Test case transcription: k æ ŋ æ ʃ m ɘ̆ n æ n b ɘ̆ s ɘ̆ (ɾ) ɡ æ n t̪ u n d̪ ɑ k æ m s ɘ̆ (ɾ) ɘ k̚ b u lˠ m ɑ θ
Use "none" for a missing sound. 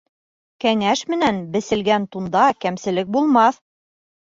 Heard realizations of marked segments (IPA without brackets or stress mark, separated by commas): l, l